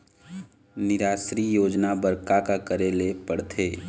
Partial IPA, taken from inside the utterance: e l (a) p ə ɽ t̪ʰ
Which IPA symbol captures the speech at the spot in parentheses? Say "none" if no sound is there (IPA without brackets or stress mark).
e